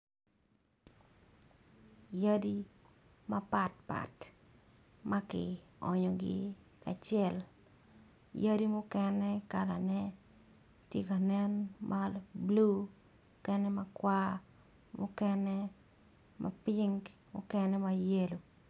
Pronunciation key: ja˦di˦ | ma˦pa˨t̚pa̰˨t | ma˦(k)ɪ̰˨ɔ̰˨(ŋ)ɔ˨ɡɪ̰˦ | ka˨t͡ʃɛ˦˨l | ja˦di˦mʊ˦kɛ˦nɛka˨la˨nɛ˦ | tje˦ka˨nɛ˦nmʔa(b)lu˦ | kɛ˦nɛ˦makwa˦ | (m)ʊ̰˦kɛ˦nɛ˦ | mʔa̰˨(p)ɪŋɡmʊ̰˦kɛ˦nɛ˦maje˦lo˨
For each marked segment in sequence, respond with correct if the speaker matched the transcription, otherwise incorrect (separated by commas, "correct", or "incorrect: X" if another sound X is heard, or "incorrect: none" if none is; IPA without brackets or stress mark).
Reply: correct, incorrect: ɲ, correct, correct, correct